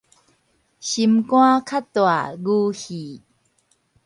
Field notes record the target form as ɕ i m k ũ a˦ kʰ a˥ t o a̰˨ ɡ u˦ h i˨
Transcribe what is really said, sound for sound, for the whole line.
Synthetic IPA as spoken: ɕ i m k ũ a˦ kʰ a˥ t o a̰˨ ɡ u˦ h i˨